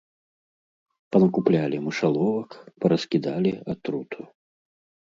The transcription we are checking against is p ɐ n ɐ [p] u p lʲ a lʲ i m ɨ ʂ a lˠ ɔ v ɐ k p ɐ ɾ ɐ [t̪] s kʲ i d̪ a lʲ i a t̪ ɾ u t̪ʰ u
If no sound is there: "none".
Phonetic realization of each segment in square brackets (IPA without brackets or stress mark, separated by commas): k, none